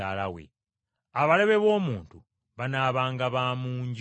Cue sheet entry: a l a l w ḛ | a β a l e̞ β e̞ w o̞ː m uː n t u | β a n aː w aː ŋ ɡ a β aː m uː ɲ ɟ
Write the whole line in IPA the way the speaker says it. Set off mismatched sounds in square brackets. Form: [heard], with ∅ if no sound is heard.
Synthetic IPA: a l a [∅] w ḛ | a β a l e̞ β e̞ [β] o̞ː m uː n t u | β a n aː [β] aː ŋ ɡ a β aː m uː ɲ ɟ